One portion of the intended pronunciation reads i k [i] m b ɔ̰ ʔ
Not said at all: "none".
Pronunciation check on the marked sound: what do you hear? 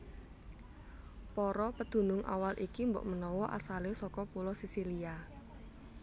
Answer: i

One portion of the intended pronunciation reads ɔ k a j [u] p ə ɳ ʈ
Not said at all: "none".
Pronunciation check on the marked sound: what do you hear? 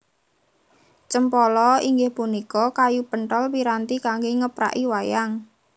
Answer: u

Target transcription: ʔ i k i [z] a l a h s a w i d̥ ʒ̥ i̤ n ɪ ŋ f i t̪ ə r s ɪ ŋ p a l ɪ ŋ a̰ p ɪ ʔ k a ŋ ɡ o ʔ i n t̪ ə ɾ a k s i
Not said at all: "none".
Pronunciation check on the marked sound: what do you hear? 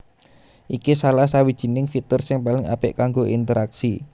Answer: s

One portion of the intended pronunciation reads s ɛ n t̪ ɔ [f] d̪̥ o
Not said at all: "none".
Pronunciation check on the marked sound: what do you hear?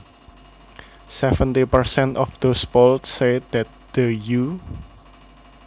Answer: f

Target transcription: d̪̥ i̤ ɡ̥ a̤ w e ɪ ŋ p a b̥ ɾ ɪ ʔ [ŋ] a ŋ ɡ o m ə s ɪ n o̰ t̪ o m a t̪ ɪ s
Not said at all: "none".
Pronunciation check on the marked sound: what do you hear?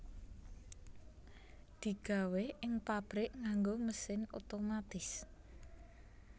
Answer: ŋ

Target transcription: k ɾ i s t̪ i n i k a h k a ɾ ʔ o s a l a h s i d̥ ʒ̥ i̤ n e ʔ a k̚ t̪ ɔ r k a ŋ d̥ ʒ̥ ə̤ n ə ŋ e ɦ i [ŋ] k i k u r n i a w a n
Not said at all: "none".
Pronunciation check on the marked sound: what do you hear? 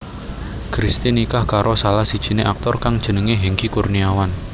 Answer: ŋ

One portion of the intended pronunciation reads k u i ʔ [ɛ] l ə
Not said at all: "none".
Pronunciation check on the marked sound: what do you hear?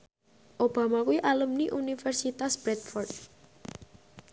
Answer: a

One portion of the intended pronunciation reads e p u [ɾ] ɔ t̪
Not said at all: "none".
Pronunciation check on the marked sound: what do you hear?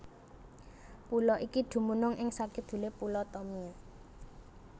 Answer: l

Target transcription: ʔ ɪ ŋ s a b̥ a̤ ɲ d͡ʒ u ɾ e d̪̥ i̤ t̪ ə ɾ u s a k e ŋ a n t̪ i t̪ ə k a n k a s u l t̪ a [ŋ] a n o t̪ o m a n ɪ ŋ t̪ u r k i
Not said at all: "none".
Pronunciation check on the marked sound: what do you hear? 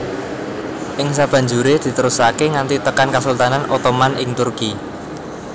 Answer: n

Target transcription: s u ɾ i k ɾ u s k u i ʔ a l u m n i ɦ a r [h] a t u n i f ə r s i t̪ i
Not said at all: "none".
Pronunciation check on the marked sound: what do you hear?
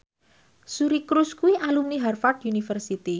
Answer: f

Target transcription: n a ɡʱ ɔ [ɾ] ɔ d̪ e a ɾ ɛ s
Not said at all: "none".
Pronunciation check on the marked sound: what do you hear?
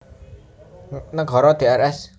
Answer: ɾ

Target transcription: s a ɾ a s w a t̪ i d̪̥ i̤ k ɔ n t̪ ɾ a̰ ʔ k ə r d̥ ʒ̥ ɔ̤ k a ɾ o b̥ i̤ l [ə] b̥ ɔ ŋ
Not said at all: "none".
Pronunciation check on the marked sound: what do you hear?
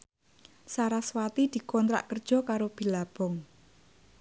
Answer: a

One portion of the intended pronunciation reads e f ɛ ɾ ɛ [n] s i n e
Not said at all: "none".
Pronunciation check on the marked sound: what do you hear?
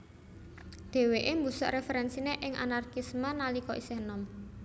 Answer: n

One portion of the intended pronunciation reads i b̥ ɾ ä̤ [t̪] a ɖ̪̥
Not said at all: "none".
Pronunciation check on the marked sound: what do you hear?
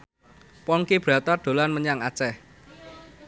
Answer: t̪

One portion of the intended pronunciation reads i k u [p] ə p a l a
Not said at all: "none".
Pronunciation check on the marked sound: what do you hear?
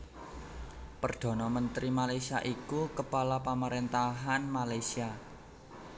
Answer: k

